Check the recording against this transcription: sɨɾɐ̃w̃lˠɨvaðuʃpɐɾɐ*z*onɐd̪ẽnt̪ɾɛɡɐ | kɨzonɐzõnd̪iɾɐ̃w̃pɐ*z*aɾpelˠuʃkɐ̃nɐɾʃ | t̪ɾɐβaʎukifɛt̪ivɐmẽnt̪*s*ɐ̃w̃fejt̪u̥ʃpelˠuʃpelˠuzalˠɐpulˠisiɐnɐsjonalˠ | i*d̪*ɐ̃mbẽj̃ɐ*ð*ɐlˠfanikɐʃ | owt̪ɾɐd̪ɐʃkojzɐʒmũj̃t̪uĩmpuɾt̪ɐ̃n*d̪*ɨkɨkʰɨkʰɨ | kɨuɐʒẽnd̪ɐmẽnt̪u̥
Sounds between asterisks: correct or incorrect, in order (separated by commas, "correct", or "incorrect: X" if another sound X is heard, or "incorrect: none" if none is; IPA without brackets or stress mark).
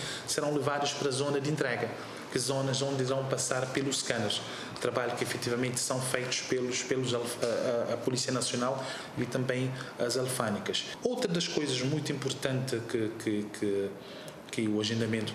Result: correct, incorrect: s, correct, incorrect: t̪, incorrect: z, incorrect: t̪